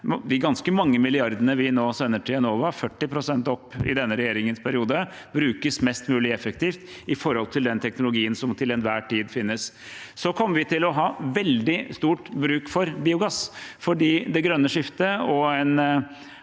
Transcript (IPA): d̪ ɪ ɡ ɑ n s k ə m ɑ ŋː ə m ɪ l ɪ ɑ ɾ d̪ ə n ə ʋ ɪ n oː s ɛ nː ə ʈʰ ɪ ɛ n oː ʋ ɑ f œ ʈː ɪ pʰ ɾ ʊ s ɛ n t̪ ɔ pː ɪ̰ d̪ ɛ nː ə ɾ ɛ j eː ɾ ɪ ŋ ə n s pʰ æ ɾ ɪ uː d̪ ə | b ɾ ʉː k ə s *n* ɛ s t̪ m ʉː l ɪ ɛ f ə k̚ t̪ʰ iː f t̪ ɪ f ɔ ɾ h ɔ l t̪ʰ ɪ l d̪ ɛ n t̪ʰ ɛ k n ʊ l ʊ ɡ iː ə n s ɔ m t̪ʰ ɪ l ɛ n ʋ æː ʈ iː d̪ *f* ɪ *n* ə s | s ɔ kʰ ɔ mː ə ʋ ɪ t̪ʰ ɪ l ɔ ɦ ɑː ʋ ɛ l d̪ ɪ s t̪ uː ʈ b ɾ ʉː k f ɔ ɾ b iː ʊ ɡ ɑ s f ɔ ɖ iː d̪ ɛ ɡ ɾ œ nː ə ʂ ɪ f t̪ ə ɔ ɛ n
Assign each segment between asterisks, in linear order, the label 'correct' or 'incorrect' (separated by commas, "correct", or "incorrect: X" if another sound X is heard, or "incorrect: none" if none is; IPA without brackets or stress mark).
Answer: incorrect: m, correct, incorrect: nː